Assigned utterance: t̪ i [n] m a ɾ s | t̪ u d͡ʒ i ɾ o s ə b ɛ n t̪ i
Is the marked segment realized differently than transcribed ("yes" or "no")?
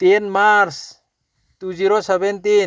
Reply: no